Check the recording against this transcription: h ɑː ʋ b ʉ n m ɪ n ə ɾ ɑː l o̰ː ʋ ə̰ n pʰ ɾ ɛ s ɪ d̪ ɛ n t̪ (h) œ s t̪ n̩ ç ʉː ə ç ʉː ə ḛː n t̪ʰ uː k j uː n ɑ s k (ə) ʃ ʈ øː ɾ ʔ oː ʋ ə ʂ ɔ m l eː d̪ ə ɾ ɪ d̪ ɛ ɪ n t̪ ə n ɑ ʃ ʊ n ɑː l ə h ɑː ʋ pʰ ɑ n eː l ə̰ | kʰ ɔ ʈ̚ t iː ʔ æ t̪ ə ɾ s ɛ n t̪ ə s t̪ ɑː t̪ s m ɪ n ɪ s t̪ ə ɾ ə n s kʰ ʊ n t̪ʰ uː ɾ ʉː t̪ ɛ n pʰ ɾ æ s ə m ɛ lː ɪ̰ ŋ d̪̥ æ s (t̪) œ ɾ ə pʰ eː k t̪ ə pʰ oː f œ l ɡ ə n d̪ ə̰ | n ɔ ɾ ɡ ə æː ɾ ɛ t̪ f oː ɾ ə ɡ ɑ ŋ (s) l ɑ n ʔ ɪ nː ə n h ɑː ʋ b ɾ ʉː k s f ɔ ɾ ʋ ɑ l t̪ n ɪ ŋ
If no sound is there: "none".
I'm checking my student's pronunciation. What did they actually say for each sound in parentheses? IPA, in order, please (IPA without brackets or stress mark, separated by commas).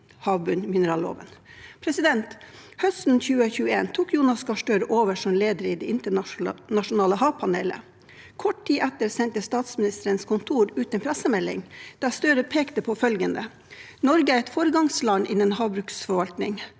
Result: h, ɑ, t̪, s